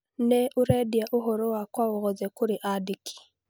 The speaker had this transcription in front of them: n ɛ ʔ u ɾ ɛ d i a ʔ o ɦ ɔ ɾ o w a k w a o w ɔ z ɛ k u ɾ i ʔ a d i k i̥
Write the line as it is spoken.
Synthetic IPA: n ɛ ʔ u ɾ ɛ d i a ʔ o ɦ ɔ ɾ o w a k w a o ɣ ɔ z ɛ k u ɾ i ʔ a d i k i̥